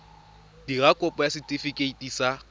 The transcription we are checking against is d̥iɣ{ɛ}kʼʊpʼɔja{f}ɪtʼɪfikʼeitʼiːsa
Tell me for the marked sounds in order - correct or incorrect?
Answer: incorrect, incorrect

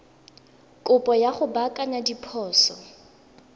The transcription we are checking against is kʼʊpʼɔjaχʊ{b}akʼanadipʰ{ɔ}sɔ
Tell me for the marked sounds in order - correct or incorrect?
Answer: correct, incorrect

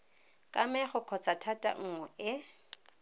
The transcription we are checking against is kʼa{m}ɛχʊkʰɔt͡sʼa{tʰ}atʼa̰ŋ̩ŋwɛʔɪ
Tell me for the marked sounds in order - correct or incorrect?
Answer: correct, correct

